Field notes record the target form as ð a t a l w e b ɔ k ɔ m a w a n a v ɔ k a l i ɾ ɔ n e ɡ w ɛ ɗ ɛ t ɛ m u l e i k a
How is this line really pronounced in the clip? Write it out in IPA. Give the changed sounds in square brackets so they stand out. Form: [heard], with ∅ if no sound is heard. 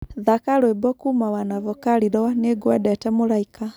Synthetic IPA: ð a [k] a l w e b ɔ k [u] m a w a n a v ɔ k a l i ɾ ɔ n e ɡ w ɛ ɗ ɛ t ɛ m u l [a] i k a